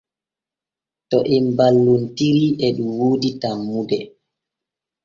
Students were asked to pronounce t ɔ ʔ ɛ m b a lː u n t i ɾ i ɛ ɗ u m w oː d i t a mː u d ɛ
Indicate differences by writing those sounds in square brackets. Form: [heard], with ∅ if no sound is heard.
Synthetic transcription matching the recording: t ɔ ʔ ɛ m b a lː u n t i ɾ i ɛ ɗ u m w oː d i t a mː u d ɛ